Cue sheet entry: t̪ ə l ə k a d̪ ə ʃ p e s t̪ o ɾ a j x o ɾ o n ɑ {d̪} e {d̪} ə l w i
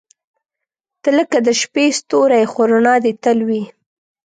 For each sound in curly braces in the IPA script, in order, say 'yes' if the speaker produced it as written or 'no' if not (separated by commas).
yes, no